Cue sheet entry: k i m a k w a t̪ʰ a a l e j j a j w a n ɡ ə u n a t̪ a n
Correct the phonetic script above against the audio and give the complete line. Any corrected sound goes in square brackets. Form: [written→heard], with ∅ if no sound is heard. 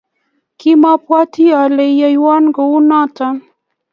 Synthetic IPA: k i m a [k→p] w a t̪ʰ [a→i] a l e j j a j w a n ɡ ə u n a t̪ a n

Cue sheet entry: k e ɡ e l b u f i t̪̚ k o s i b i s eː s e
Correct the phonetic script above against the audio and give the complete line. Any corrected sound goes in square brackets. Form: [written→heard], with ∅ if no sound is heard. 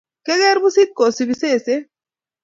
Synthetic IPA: k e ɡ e [l→ɾ] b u [f→s] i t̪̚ k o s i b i s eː s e

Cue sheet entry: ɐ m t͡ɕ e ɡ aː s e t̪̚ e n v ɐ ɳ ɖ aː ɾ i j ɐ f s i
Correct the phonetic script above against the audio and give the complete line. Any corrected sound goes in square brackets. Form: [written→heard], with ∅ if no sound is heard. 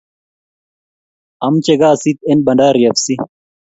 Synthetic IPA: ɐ m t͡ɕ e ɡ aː s [e→i] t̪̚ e n [v→b] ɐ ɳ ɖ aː ɾ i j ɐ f s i

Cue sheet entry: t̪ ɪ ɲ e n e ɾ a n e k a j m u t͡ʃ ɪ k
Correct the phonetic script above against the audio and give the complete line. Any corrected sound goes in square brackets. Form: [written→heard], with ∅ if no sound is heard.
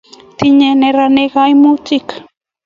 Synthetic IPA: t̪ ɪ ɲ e n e ɾ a n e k a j m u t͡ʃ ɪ k

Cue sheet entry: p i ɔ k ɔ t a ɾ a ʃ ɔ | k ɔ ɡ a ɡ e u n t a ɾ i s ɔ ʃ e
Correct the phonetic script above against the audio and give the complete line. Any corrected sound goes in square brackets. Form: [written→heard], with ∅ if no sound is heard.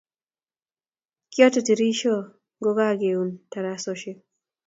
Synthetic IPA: [p→k] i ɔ [k→t] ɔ t [a→i] ɾ [a→i] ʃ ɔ | [k→ɡ] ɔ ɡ a ɡ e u n t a ɾ [i→a] s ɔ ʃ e

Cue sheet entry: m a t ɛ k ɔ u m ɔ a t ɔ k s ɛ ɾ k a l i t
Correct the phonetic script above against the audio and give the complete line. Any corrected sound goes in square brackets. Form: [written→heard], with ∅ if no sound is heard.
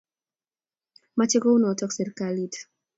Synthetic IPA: m a [t→t͡ʃ] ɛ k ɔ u [m→n] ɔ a t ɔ k s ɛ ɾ k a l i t

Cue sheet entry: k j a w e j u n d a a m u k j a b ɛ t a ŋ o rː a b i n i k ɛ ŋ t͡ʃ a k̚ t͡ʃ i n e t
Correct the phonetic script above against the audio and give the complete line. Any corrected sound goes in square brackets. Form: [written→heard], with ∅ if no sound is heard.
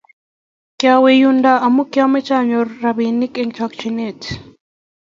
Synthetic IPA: k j a w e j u n d a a m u k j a [b→m] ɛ [t→t͡ʃ] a [ŋ→ɲ] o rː a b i n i k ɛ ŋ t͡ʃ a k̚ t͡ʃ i n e t

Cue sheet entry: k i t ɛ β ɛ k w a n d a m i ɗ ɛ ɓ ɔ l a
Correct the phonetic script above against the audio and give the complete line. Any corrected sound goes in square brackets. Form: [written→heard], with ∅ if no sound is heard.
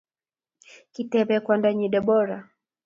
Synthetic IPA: k i t ɛ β ɛ k w a n d a [m→ɲ] i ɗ ɛ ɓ ɔ [l→ɾ] a

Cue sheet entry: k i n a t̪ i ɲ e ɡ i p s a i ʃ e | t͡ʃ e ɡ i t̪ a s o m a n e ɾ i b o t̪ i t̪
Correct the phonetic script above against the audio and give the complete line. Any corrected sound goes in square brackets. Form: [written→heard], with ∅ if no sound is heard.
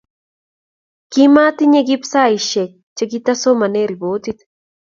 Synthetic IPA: k i [n→m] a t̪ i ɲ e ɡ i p s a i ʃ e | t͡ʃ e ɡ i t̪ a s o m a n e ɾ i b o t̪ i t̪

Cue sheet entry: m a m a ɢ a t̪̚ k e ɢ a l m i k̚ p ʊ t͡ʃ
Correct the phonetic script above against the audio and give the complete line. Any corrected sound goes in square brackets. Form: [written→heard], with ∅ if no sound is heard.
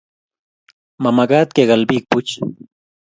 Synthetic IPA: m a m a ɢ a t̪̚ k e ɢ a l [m→b] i k̚ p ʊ t͡ʃ

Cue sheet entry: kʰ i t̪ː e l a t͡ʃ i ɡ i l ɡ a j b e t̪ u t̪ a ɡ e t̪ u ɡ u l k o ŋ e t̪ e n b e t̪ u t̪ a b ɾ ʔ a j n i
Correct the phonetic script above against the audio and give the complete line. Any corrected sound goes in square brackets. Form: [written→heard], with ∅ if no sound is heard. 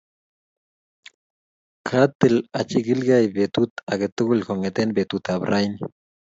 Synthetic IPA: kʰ [i→a] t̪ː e l a t͡ʃ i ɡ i l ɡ a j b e t̪ u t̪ a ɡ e t̪ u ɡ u l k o ŋ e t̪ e n b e t̪ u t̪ a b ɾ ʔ a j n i

